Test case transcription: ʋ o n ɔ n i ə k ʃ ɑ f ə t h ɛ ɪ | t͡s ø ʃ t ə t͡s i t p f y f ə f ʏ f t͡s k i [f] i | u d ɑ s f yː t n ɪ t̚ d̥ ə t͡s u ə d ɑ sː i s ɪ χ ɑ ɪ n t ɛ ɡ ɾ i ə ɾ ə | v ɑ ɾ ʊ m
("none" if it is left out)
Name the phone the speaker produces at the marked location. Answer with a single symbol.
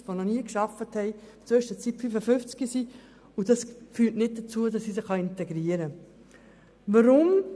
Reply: s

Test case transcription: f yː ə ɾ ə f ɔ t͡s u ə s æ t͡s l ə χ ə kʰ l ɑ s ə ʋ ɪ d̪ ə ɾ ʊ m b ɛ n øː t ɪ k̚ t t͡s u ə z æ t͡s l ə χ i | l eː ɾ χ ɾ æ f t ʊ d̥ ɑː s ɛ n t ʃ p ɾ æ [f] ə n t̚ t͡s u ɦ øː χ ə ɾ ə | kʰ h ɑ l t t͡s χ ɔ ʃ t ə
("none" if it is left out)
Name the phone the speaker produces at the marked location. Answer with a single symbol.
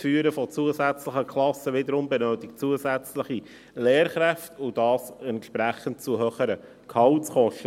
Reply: χ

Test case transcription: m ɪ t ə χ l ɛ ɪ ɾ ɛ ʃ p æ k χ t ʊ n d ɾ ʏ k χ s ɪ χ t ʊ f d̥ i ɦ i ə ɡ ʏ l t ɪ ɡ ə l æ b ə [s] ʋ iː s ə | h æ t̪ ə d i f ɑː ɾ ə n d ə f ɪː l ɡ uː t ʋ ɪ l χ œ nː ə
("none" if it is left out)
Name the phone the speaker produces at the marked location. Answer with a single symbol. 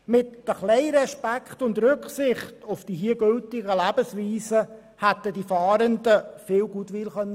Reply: s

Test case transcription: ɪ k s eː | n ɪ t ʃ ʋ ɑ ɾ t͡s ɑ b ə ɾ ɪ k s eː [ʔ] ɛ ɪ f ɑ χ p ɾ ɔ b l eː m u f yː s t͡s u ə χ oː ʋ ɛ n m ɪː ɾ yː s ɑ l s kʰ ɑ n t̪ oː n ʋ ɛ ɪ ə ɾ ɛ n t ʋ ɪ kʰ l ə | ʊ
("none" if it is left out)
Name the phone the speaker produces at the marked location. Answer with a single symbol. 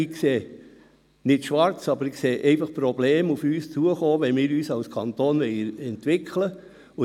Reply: ʔ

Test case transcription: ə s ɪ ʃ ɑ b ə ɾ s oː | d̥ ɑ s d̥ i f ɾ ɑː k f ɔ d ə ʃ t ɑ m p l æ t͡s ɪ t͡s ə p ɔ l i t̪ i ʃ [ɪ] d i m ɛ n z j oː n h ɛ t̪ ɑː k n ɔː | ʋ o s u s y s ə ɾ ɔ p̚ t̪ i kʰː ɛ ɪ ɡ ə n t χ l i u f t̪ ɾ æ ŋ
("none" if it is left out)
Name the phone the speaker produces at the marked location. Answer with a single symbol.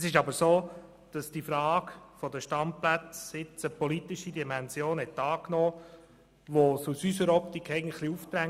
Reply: i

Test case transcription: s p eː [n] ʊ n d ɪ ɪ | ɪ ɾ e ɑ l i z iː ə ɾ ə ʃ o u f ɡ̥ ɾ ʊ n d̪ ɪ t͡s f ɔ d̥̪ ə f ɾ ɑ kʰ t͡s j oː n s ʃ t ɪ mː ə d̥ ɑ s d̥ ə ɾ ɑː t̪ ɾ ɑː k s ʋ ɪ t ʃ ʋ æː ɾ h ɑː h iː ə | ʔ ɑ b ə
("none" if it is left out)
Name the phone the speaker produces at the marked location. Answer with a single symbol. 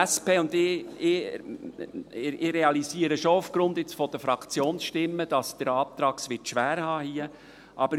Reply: none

